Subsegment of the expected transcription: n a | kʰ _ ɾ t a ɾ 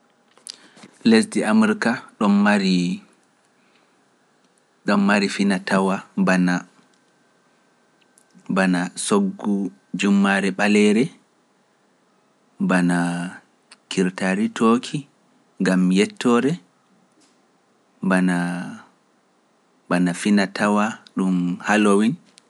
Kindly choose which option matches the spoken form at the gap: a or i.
i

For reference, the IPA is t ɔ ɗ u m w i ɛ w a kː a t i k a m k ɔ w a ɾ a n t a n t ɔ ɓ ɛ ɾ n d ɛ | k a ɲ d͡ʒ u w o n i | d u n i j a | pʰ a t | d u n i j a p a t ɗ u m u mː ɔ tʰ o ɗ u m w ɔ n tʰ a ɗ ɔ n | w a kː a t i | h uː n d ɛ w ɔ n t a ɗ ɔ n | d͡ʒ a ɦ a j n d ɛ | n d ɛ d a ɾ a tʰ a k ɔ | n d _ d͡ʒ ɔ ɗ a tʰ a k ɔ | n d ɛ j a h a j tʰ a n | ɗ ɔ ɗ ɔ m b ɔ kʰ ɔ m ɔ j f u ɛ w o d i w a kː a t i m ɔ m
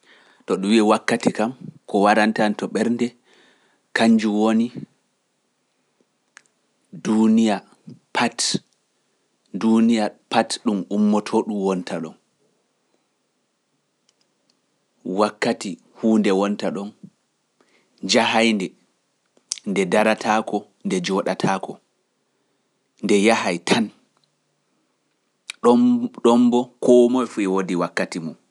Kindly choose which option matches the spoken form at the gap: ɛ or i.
ɛ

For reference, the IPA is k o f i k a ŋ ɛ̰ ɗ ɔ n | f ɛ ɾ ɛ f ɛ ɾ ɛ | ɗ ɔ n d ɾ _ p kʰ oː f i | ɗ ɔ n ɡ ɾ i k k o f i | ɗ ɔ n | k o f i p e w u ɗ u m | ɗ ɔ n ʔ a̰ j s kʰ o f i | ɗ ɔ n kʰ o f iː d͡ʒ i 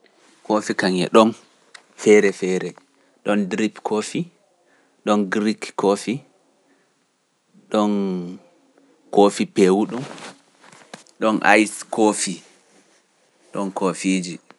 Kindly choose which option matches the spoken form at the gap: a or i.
i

